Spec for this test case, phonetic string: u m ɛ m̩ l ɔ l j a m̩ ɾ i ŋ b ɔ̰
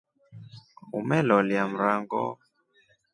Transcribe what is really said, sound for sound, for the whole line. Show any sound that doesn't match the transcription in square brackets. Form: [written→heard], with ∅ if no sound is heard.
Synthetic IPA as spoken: u m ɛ [m̩→∅] l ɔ l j a m̩ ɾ [i→a] ŋ [b→ɡ] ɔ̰